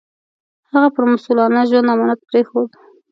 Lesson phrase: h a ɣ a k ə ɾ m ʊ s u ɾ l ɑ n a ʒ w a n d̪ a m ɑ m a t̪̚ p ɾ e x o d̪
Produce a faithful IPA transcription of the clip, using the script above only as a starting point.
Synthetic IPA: h a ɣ a p ə ɾ m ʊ s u l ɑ n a ʒ w a n d̪ a m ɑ n a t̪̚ p ɾ e x o d̪